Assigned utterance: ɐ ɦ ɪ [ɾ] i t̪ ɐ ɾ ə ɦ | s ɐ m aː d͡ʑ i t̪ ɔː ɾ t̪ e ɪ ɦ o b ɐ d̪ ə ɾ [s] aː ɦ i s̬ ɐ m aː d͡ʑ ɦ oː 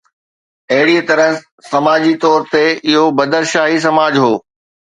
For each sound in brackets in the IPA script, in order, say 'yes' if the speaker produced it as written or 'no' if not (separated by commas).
no, no